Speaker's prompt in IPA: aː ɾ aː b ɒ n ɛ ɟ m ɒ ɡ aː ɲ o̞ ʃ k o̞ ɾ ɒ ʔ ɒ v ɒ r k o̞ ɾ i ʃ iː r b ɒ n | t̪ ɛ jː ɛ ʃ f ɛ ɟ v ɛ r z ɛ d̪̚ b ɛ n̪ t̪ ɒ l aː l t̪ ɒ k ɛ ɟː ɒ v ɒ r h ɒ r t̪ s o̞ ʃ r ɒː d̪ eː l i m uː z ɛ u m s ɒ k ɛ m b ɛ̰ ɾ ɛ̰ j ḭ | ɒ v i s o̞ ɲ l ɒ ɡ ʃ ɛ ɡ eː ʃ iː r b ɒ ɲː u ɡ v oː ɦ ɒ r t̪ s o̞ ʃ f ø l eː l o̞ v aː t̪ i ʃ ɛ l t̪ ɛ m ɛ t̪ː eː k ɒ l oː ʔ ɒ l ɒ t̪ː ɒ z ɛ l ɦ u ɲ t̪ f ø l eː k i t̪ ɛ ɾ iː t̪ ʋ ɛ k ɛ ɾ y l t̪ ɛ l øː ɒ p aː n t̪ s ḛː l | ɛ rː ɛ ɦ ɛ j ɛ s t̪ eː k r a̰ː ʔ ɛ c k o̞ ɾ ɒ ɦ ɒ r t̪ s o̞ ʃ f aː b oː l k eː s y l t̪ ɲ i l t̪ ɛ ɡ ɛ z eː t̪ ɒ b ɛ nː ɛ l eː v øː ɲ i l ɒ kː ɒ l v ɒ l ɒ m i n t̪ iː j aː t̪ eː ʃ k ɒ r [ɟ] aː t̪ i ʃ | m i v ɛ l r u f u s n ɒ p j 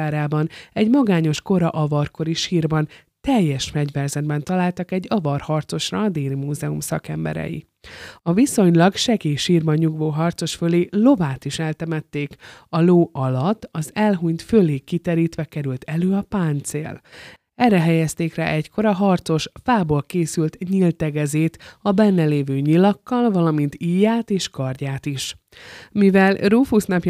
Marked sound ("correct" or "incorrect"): correct